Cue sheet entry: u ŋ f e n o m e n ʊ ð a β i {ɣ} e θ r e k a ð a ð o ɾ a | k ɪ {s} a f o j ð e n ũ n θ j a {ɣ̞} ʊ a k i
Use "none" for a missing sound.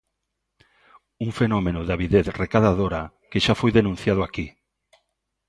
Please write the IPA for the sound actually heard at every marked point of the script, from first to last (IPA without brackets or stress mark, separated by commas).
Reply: ð, ʃ, ð̞